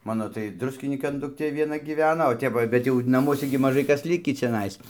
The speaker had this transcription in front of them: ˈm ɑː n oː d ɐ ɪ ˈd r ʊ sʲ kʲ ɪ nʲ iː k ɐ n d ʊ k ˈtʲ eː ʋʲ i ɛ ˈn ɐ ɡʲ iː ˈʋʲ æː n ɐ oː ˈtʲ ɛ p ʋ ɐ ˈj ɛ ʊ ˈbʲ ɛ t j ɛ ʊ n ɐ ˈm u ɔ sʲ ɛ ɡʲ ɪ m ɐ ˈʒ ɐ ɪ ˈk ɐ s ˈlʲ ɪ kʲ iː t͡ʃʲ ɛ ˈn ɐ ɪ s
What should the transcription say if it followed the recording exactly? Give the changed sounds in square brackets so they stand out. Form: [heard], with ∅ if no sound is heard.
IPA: ˈm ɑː n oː [t] ɐ ɪ ˈd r ʊ sʲ kʲ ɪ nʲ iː k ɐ n d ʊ k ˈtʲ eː ʋʲ i ɛ ˈn ɐ ɡʲ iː ˈʋʲ æː n ɐ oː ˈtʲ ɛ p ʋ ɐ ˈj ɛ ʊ ˈbʲ ɛ t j ɛ ʊ n ɐ ˈm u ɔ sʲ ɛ ɡʲ ɪ m ɐ ˈʒ ɐ ɪ ˈk ɐ s ˈlʲ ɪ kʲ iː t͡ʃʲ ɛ ˈn ɐ ɪ s